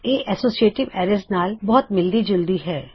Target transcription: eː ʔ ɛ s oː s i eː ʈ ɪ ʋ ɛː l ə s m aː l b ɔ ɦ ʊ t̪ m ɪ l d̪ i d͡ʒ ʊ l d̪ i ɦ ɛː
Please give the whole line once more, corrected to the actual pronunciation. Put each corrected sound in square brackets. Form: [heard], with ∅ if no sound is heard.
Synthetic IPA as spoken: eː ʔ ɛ s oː s i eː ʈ ɪ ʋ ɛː [ɾ] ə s [n] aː l b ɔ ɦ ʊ t̪ m ɪ l d̪ i d͡ʒ ʊ l d̪ i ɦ ɛː